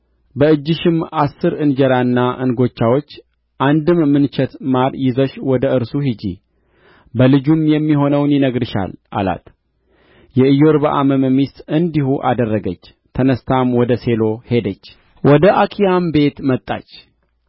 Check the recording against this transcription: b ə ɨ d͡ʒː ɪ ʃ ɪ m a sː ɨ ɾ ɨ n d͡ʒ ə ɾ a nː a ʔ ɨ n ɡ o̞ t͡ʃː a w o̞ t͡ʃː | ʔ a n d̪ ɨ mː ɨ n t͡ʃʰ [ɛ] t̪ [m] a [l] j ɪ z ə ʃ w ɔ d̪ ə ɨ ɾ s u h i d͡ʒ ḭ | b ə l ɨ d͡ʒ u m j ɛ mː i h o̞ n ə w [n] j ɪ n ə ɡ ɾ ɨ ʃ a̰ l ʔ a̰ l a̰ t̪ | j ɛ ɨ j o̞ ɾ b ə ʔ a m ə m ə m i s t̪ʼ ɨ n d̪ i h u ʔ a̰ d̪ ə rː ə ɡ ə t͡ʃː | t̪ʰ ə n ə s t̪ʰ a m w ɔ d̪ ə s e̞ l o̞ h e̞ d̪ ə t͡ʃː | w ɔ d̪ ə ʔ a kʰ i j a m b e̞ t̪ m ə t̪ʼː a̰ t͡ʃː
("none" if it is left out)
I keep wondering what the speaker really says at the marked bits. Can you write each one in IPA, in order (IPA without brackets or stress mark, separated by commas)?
ɛ, m, ɾ, n